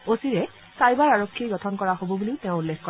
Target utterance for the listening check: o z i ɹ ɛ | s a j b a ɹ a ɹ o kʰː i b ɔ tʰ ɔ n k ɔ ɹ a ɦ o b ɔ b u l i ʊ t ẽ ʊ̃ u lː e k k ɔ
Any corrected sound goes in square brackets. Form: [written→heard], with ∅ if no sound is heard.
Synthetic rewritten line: o [z→s] i ɹ ɛ | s a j b a ɹ a ɹ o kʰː i [b→ɡ] ɔ tʰ ɔ n k ɔ ɹ a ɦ o b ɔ b u l i ʊ t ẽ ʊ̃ u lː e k k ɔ